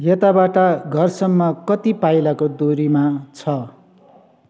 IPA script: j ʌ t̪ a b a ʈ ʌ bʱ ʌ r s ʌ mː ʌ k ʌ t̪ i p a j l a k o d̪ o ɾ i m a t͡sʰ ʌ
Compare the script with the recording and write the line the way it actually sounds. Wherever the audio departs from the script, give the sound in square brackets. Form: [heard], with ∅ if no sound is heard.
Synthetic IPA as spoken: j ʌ t̪ a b a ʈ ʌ [ɡʱ] ʌ r s ʌ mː ʌ k ʌ t̪ i p a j l a k o d̪ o ɾ i m a t͡sʰ ʌ